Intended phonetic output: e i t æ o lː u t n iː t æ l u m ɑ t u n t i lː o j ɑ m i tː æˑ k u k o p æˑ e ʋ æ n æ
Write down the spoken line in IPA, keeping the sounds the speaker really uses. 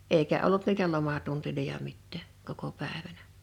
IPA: e i k æ o lː u t n iː t æ l o m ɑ t u n t i l o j ɑ m i tː æˑ k o k o p æˑ e ʋ æ n æ